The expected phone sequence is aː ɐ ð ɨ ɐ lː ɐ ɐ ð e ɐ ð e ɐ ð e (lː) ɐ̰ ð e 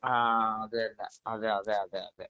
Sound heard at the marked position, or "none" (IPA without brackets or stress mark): none